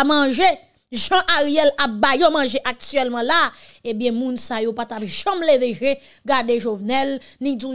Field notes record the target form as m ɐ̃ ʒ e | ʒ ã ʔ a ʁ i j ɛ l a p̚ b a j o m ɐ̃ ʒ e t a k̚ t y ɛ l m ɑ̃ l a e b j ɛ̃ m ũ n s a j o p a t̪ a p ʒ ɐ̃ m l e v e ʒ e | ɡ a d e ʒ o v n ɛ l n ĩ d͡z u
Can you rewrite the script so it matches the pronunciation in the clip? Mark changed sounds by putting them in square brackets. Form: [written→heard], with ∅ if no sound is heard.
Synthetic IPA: m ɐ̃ ʒ e | ʒ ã ʔ a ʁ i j ɛ l a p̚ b a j o m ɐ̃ ʒ e [t→ʔ] a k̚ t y ɛ l m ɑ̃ l a e b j ɛ̃ m ũ n s a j o p a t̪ a p ʒ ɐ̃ m l e v e ʒ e | ɡ a d e ʒ o v n ɛ l n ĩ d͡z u